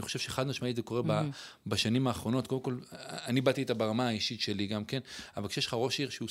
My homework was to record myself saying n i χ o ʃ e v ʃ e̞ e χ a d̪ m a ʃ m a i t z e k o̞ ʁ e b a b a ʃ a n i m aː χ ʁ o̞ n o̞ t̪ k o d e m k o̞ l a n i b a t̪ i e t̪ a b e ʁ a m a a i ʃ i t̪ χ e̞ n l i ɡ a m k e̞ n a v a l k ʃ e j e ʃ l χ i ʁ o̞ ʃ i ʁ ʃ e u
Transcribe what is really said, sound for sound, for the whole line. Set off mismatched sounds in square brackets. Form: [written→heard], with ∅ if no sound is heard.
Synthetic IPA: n i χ o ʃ e v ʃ e̞ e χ a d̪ m a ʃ m a i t z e k o̞ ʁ e b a b a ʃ a n i m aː χ ʁ o̞ n o̞ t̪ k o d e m k o̞ l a n i b a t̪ i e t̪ a b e ʁ a m a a i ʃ i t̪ [χ→ʃ] e̞ [n→∅] l i ɡ a m k e̞ n a v a l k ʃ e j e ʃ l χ [i→a] ʁ o̞ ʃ i ʁ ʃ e u